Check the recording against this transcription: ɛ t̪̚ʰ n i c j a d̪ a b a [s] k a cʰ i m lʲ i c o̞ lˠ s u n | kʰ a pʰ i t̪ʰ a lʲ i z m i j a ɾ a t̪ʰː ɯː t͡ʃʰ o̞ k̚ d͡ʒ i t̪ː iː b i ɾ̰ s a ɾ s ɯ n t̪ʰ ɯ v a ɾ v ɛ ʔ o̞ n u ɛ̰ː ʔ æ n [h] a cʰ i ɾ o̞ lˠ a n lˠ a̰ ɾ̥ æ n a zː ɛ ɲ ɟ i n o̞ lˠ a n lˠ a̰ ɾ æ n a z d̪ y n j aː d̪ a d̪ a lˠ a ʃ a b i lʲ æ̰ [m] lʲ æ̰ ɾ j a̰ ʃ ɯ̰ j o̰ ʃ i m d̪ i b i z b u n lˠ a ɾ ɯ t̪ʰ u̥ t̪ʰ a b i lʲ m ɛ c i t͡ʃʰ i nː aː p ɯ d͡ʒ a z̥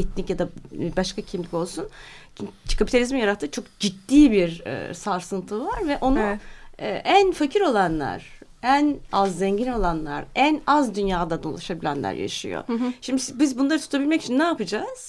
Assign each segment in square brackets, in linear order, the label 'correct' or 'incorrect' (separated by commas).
incorrect, incorrect, incorrect